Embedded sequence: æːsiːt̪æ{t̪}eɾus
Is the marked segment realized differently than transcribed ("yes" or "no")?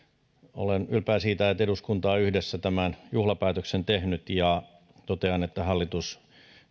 no